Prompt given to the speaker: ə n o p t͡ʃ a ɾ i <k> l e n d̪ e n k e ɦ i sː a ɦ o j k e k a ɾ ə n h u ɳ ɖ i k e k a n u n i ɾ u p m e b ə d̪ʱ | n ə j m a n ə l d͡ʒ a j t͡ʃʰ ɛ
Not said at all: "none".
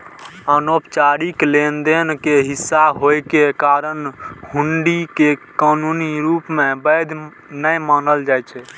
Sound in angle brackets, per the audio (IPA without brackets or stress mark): k